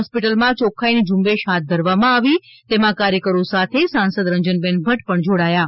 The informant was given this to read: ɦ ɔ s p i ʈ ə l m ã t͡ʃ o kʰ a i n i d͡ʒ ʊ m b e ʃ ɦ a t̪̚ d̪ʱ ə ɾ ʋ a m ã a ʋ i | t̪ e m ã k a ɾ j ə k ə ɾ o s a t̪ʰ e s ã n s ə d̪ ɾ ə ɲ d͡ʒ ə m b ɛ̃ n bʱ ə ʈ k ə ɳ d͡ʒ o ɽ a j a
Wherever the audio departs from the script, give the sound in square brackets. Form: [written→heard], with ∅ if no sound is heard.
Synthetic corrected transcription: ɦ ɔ s p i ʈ ə l m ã t͡ʃ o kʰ a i n i d͡ʒ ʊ m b e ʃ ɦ a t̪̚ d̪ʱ ə ɾ ʋ a m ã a ʋ i | t̪ e m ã k a ɾ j ə k ə ɾ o s a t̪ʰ e s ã n s ə d̪ ɾ ə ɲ d͡ʒ ə [m→n] b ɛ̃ n bʱ ə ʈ [k→p] ə ɳ d͡ʒ o ɽ a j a